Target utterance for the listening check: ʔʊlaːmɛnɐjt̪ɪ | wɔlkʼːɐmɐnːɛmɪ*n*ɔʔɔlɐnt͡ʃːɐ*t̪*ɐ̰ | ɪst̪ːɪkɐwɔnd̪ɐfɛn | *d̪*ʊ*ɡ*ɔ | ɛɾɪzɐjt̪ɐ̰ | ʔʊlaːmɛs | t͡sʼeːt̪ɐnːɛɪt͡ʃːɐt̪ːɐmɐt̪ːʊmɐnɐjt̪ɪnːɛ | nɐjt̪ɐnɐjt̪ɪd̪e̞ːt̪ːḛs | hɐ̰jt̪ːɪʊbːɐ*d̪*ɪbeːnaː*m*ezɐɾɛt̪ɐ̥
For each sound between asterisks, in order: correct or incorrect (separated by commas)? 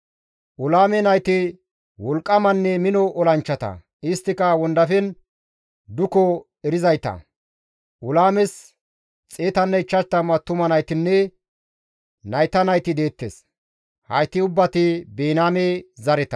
correct, correct, correct, incorrect, incorrect, correct